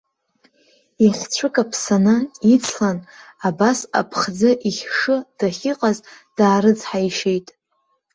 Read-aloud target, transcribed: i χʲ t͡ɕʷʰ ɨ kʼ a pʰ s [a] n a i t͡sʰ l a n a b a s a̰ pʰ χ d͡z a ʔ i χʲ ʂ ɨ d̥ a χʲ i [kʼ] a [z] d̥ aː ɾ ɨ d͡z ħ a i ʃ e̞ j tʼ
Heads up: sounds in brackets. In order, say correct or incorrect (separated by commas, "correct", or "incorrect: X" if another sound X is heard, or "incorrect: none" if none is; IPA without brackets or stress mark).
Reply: correct, incorrect: qʼ, correct